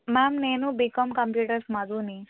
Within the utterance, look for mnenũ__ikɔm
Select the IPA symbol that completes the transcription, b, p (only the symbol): b